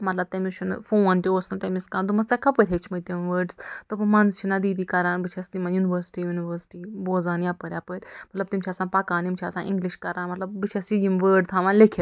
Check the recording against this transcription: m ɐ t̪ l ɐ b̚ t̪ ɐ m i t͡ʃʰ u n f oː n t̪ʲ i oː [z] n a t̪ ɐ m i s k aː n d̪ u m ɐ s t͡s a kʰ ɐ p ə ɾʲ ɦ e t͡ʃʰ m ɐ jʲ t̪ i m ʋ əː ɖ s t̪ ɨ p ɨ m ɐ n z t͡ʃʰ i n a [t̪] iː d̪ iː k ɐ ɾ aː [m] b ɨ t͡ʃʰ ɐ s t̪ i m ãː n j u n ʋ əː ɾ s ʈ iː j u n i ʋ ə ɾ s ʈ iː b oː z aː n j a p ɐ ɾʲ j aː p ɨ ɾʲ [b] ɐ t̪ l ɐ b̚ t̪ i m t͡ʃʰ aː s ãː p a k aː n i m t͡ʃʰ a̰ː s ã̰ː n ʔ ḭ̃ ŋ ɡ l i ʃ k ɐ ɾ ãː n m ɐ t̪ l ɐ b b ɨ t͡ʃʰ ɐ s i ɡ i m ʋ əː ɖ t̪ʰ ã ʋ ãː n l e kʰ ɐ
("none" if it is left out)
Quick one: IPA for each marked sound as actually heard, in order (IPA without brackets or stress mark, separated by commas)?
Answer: s, d̪, n, m